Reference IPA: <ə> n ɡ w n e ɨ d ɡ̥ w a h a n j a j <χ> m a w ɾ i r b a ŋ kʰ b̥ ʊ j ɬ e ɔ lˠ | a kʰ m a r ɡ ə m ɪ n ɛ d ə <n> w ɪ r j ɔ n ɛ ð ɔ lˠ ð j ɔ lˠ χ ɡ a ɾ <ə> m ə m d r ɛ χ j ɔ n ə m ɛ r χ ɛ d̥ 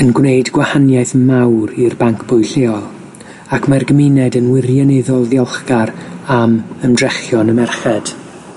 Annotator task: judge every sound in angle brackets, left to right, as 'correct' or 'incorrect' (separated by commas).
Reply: correct, incorrect, correct, incorrect